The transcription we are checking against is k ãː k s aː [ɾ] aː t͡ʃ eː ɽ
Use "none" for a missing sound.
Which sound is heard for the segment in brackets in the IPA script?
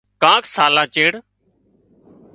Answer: l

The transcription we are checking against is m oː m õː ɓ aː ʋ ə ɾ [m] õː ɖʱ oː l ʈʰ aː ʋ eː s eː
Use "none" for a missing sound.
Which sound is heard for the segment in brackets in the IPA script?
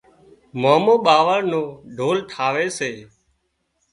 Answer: n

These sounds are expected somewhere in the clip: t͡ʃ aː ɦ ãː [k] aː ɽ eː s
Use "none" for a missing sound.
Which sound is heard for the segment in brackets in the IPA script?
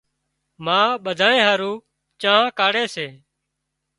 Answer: k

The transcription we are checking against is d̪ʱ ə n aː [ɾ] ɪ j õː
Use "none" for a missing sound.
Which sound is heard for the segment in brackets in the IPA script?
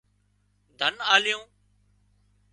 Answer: l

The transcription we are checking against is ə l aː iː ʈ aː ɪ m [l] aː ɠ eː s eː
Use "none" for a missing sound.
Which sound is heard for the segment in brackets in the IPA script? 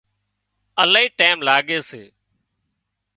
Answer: l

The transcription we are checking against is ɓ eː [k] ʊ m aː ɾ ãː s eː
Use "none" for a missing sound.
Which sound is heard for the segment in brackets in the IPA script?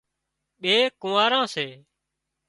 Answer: k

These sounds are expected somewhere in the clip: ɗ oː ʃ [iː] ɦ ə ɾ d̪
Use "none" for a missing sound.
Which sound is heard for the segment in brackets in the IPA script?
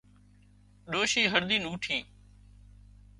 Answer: iː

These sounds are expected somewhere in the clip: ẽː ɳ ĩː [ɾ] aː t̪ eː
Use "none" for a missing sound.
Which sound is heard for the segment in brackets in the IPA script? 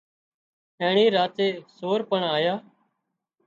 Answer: ɾ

